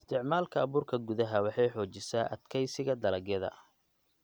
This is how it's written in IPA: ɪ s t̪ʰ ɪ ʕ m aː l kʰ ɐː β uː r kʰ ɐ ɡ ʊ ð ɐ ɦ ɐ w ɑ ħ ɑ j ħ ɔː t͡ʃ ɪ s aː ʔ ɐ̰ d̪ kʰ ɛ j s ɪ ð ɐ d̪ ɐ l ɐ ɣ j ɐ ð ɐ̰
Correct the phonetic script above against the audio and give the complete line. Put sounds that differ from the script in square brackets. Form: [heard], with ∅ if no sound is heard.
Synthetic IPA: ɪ s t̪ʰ ɪ ʕ m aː l kʰ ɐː β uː r kʰ ɐ ɡ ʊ ð ɐ ɦ ɐ w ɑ ħ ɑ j ħ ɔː t͡ʃ ɪ s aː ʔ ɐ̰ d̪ kʰ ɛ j s ɪ [ɣ] ɐ d̪ ɐ l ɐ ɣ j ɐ ð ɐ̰